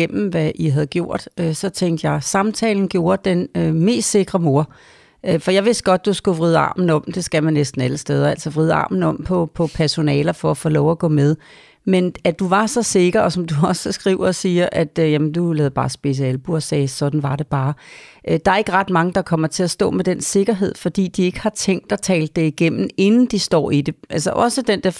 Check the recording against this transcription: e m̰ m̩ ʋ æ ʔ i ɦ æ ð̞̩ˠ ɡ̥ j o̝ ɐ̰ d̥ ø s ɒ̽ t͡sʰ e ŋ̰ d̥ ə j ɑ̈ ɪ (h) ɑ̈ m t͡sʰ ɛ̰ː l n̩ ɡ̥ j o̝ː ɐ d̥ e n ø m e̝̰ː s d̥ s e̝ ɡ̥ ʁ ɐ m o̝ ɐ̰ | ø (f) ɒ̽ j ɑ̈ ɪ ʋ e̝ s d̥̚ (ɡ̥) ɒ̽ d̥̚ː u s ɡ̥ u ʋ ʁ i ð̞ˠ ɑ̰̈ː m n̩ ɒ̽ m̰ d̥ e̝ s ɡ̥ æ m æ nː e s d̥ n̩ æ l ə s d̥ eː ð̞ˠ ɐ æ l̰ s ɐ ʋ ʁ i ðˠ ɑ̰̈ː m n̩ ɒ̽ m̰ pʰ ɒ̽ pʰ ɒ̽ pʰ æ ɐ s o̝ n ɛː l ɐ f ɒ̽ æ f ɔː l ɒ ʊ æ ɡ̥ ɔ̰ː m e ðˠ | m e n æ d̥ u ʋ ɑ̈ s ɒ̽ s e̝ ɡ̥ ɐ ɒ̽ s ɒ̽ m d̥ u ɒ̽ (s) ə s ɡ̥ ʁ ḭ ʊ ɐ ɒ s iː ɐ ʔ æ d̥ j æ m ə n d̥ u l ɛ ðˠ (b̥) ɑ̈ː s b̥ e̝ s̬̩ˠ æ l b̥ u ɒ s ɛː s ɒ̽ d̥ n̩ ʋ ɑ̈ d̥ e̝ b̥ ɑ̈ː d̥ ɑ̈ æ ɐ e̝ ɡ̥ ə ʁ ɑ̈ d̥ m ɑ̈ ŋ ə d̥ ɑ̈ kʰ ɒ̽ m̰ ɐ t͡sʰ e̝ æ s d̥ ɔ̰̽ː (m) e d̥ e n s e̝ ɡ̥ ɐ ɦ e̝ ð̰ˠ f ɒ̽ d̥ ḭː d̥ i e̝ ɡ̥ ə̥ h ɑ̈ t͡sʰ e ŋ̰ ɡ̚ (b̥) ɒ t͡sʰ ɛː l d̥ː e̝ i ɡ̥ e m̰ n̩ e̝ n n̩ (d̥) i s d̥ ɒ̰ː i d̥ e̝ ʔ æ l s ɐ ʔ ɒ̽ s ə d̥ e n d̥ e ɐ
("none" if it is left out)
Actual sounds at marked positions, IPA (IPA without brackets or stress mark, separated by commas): s, f, ɡ̥, s, b̥, m, d̥, d̥